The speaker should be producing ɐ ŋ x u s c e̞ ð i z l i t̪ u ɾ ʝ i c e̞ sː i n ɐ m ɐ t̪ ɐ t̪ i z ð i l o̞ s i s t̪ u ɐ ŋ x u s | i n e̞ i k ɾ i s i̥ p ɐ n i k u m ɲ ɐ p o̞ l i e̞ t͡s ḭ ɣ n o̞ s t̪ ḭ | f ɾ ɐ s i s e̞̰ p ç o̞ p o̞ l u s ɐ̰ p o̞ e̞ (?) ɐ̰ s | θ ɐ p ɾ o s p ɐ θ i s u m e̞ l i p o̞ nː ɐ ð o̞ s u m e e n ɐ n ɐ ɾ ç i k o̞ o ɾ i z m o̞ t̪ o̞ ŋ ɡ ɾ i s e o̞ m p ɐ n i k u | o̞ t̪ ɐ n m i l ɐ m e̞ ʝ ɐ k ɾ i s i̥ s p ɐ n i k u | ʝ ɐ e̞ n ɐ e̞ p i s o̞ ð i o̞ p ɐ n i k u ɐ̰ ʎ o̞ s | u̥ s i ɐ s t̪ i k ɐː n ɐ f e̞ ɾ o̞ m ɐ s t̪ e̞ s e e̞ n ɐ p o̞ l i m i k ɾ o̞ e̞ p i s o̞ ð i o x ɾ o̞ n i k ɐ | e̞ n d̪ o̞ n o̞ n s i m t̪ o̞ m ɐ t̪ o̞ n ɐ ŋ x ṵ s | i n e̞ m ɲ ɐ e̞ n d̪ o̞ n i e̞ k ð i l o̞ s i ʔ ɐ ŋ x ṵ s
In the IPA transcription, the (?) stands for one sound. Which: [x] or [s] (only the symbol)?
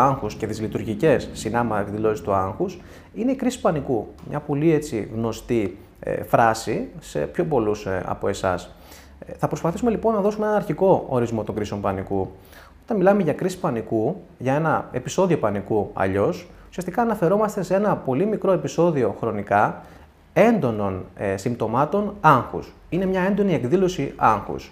s